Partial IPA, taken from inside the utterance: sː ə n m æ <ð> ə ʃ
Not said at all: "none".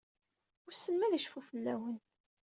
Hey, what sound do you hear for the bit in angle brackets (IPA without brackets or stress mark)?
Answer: ð